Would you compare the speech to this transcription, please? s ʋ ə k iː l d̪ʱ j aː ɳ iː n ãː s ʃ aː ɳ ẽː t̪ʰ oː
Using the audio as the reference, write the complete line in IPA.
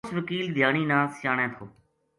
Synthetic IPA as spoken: s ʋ ə k iː l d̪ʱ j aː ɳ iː n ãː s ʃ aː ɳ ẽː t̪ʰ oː